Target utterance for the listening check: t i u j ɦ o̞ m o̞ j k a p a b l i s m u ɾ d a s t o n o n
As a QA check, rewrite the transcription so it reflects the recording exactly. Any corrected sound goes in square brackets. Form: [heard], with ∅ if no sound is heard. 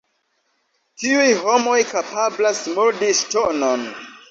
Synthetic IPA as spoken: t i u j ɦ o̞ m o̞ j k a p a b l [a] s m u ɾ d [i] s t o n o n

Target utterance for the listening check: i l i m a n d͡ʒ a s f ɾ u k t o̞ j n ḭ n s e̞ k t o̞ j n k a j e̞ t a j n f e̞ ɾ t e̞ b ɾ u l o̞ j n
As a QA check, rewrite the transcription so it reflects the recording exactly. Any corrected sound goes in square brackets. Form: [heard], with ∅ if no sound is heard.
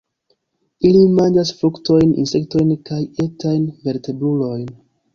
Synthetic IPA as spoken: i l i m a n d͡ʒ a s f ɾ u k t o̞ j n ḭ n s e̞ k t o̞ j n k a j e̞ t a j n [v] e̞ ɾ t e̞ b ɾ u l o̞ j n

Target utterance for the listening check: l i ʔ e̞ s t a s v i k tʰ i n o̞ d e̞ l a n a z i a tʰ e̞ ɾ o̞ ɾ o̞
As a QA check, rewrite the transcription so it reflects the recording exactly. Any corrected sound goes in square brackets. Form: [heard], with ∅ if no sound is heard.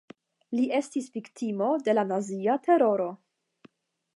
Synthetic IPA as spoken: l i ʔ e̞ s t [i] s v i k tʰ i [m] o̞ d e̞ l a n a z i a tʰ e̞ ɾ o̞ ɾ o̞

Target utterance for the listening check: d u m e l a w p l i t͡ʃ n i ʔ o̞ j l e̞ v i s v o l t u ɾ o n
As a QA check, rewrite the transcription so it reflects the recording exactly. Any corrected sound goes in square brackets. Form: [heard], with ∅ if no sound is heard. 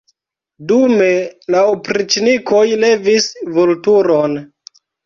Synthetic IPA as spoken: d u m e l a w p [ɾ] i t͡ʃ n i [k] o̞ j l e̞ v i s v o l t u ɾ o n

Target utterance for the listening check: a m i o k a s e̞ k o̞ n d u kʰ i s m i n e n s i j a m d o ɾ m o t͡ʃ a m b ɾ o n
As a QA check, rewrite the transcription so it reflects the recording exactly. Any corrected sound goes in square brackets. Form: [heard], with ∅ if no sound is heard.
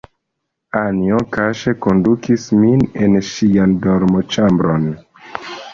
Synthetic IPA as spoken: a [n] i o k a [ʃ] e̞ k o̞ n d u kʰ i s m i n e n [ʃ] i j a [n] d o ɾ m o t͡ʃ a m b ɾ o n

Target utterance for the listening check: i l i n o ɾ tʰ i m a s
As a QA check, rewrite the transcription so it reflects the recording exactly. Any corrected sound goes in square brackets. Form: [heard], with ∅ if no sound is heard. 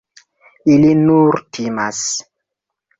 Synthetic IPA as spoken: i l i n [u] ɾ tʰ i m a s

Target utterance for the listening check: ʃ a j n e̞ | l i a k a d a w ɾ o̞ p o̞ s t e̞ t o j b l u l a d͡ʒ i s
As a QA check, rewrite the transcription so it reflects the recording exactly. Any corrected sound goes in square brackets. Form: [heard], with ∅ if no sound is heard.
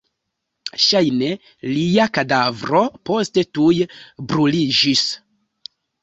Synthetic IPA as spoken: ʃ a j n e̞ | l i a k a d a [v] ɾ o̞ p o̞ s t e̞ t [u] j b [ɾ] u l [i] d͡ʒ i s

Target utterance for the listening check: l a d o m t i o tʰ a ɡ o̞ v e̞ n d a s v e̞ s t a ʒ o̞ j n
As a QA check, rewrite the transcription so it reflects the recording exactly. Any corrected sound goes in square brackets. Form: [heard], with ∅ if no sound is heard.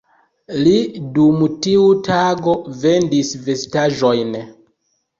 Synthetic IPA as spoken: l [i] d [u] m t i [u] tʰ a ɡ o̞ v e̞ n d [i] s v e̞ s t a ʒ o̞ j n

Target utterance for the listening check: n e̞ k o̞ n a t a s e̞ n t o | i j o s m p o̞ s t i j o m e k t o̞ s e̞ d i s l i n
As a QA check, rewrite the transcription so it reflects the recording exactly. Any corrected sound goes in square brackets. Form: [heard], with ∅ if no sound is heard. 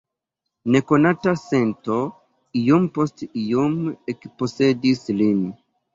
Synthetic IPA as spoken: n e̞ k o̞ n a t a s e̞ n t o | i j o [∅] m p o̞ s t i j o m e k [p] o̞ s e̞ d i s l i n

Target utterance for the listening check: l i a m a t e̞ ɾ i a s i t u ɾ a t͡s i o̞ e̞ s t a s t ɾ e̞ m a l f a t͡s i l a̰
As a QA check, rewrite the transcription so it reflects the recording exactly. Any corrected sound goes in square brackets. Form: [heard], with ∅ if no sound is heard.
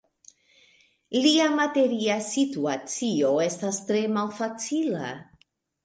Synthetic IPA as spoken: l i a m a t e̞ ɾ i a s i t u [∅] a t͡s i o̞ e̞ s t a s t ɾ e̞ m a l f a t͡s i l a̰

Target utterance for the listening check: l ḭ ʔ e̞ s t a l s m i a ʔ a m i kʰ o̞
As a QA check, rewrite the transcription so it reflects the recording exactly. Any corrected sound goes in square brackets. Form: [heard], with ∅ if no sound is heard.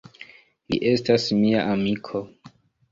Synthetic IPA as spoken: l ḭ ʔ e̞ s t a [∅] s m i a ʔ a m i kʰ o̞

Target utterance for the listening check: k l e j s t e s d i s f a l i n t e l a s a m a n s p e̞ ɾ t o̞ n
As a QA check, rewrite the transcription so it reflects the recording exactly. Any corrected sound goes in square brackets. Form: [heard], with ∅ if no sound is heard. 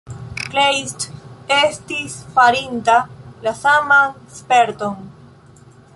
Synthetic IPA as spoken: k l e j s t e s [t] i s f a [ɾ] i n t [a] l a s a m a n s p e̞ ɾ t o̞ n

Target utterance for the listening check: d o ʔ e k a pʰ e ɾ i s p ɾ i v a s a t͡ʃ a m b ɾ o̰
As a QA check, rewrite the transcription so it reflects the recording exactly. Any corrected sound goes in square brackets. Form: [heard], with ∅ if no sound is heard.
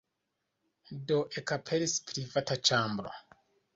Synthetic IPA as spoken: d o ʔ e k a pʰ e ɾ i s p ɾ i v a [t] a t͡ʃ a m b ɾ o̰

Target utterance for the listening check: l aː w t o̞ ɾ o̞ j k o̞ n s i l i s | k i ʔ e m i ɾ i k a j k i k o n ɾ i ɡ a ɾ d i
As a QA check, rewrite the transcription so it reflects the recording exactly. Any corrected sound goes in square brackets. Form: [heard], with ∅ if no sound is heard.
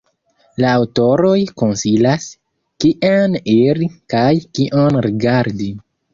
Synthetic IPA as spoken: l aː w t o̞ ɾ o̞ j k o̞ n s i l [a] s | k i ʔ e [n] i ɾ i k a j k i [ʔ] o n ɾ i ɡ a ɾ d i

